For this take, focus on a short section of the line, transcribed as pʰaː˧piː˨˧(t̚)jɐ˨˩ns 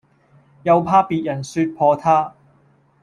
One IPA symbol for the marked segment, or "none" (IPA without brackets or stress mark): t̚